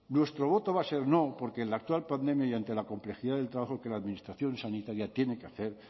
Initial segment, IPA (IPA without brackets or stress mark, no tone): n